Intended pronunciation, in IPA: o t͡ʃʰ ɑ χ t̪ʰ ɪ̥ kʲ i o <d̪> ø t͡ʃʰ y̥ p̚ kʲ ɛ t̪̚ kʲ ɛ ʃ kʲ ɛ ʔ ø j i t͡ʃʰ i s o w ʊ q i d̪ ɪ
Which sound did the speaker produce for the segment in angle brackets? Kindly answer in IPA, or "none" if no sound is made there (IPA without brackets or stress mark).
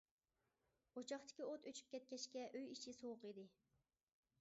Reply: t̪